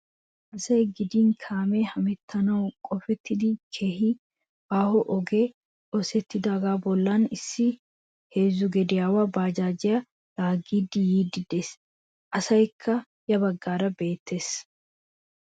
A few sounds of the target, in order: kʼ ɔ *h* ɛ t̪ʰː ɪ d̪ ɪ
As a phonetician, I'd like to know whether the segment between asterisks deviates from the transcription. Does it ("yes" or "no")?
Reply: yes